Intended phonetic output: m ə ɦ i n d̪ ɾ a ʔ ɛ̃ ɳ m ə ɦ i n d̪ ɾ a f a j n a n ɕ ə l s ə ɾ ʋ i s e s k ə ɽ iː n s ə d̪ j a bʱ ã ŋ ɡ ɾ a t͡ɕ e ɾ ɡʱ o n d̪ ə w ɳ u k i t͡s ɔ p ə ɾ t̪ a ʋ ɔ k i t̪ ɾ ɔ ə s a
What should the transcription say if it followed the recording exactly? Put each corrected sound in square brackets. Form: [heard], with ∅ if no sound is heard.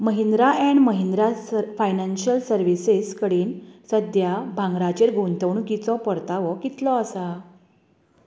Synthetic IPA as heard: m ə ɦ i n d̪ ɾ a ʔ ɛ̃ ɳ m ə ɦ i n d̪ ɾ a f a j n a n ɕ ə l s ə ɾ ʋ i s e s k ə ɽ iː n s ə d̪ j a bʱ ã ŋ ɡ ɾ a t͡ɕ e ɾ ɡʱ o n [t̪] ə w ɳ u k i t͡s ɔ p ə ɾ t̪ a ʋ ɔ k i t̪ [l] ɔ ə s a